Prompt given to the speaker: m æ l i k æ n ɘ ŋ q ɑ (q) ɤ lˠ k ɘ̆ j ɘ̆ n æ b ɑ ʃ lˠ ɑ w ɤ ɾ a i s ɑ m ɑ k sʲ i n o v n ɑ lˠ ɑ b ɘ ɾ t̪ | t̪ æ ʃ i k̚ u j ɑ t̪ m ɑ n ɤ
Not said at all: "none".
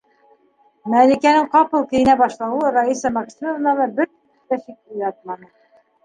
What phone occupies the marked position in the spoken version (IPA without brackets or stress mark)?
p